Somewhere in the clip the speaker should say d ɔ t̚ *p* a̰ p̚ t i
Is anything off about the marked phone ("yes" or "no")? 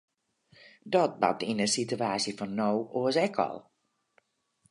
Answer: yes